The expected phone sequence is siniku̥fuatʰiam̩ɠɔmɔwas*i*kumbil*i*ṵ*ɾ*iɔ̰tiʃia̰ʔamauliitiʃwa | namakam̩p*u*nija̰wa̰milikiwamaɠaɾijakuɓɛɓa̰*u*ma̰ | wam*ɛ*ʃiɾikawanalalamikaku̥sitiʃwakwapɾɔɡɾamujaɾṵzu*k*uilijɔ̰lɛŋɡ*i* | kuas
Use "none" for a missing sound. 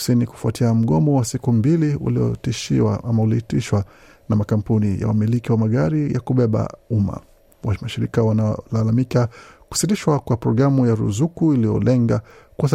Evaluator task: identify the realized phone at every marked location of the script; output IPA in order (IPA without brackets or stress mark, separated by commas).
i, i, l, u, u, a, k, a